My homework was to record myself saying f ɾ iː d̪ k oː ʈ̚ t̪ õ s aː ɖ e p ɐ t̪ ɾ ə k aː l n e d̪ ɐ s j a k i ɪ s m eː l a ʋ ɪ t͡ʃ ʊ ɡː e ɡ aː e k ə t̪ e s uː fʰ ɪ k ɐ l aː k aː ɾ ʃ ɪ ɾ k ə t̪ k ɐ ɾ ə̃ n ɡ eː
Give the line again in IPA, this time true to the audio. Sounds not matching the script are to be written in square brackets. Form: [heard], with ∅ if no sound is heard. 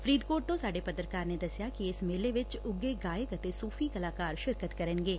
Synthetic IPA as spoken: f ɾ iː d̪ k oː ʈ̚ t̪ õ s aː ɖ e p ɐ t̪ ɾ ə k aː [ɾ] n e d̪ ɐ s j a k i ɪ s m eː l [e] ʋ ɪ t͡ʃ ʊ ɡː e ɡ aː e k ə t̪ e s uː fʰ [i] k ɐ l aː k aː ɾ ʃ ɪ ɾ k ə t̪ k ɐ ɾ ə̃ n ɡ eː